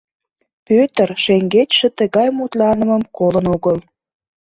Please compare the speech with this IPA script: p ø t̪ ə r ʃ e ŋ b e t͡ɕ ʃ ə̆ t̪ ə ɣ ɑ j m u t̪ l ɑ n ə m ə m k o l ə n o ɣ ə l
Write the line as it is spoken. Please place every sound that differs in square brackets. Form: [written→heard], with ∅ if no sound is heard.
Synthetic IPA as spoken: p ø t̪ ə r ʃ e ŋ [b→ɡ] e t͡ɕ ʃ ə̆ t̪ ə ɣ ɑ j m u t̪ l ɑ n ə m ə m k o l ə n o ɣ ə l